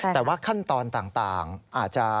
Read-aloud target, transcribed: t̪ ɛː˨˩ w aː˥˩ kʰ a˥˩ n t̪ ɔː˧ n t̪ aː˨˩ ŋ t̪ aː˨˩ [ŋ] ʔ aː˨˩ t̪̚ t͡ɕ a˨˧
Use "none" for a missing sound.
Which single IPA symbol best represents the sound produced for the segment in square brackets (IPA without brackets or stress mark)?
ŋ